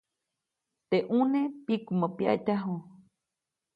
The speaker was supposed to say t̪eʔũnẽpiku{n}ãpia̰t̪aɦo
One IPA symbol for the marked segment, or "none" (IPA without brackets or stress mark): m